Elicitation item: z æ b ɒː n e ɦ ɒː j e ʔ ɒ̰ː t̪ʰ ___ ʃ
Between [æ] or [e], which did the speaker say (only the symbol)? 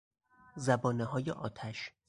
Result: æ